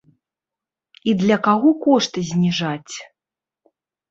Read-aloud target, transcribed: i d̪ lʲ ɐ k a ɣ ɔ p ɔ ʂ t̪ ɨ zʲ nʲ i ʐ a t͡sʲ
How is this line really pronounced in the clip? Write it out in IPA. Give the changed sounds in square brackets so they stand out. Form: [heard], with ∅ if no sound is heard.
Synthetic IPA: i d̪ lʲ ɐ k a ɣ ɔ [k] ɔ ʂ t̪ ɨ zʲ nʲ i ʐ a t͡sʲ